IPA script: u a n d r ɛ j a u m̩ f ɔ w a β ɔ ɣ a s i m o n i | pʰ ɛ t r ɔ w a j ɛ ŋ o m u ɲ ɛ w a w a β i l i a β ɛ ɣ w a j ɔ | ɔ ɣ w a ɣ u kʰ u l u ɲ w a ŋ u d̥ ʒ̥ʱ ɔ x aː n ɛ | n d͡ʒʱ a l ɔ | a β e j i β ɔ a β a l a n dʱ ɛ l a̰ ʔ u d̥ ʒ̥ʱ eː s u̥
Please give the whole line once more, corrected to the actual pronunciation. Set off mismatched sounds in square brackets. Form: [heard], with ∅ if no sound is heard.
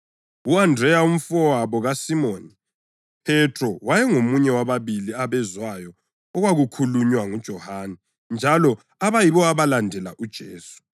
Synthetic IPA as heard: u a n d r ɛ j a u m̩ f ɔ w a β ɔ ɣ a s i m o n i | pʰ ɛ t r ɔ w a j ɛ ŋ o m u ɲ ɛ w a [β] a β i l i a β ɛ [z] w a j ɔ | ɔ ɣ w a ɣ u kʰ u l u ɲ w a ŋ u d̥ ʒ̥ʱ ɔ [h] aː n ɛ | n d͡ʒʱ a l ɔ | a β [a] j i β ɔ a β a l a n dʱ ɛ l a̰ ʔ u d̥ ʒ̥ʱ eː s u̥